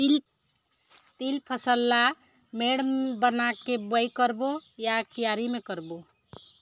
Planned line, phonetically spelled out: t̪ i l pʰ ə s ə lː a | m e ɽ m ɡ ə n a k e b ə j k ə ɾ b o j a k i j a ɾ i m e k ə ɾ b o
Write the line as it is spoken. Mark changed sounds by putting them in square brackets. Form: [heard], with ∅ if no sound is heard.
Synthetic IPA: t̪ i l pʰ ə s ə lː a | m e ɽ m [b] ə n a k e b ə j k ə ɾ b o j a k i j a ɾ i m e k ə ɾ b o